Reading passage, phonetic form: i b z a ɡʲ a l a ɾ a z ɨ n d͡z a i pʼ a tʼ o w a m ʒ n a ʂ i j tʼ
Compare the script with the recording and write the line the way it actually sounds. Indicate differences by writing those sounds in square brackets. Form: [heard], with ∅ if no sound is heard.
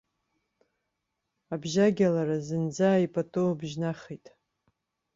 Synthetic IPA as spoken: [a] b [ʒ] a ɡʲ a l a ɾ a z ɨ n d͡z a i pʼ a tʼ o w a [b] ʒ n a [χ] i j tʼ